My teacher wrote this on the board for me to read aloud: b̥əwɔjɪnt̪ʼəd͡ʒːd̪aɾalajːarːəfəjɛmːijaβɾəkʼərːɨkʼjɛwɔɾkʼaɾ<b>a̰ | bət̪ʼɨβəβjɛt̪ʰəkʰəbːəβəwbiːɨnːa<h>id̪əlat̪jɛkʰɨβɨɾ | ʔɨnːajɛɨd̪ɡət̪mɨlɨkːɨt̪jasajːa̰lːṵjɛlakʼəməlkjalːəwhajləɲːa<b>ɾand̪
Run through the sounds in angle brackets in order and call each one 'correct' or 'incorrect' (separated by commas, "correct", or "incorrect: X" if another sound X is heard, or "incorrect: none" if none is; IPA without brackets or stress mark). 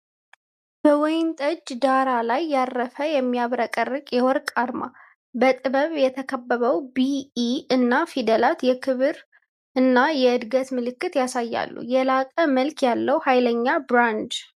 incorrect: m, incorrect: f, correct